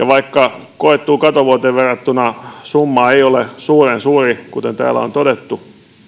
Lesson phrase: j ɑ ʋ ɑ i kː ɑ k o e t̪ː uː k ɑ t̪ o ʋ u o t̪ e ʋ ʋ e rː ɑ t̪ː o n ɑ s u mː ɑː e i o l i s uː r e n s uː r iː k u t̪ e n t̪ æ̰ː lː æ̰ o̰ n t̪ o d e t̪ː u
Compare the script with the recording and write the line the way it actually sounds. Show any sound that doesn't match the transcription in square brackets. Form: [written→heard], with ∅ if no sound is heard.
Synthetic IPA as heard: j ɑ ʋ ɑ i kː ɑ k o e t̪ː uː k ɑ t̪ o ʋ u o t̪ e ʋ ʋ e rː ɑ t̪ː [o→u] n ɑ s u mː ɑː e i o l [i→e] s uː r e n s uː r [iː→i] k u t̪ e n t̪ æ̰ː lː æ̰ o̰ n t̪ o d e t̪ː u